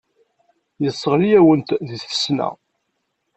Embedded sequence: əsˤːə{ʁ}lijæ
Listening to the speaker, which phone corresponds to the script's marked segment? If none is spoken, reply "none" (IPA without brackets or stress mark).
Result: ʁ